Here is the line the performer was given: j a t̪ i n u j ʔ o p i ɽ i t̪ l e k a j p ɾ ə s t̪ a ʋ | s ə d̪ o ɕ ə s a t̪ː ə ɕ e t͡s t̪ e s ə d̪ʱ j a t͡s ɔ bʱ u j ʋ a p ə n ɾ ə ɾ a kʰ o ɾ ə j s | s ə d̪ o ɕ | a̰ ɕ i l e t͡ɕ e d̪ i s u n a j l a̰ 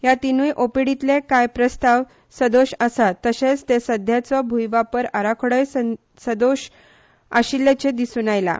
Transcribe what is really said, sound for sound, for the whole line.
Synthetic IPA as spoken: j a t̪ i n u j ʔ o p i ɽ i t̪ l e k a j p ɾ ə s t̪ a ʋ | s ə d̪ o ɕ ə s a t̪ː ə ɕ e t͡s t̪ e s ə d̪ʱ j a t͡s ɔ bʱ u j ʋ a p ə ɾ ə ɾ a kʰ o ɽ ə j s | s ə d̪ o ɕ | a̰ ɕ i l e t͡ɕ e d̪ i s u n a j l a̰